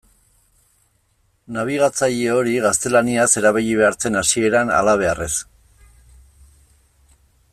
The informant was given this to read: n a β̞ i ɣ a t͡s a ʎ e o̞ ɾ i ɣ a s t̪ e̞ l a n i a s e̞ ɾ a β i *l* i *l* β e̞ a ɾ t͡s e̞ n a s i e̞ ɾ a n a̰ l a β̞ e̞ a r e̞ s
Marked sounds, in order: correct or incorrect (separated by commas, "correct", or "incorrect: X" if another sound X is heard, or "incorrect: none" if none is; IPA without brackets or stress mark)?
incorrect: ʎ, incorrect: none